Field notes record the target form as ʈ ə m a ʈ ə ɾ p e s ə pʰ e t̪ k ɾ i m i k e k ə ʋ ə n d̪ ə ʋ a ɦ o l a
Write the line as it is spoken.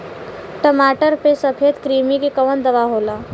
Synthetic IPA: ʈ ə m a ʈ ə ɾ p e s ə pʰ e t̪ k ɾ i m i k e k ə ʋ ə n d̪ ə ʋ a ɦ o l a